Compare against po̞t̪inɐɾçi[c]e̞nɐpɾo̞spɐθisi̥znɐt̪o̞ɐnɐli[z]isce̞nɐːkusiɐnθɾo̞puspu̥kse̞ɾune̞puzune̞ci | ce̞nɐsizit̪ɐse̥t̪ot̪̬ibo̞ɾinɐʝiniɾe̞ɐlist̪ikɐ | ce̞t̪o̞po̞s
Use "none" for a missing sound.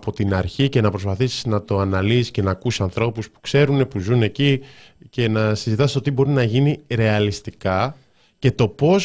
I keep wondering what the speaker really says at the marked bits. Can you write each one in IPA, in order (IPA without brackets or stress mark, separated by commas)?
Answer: c, s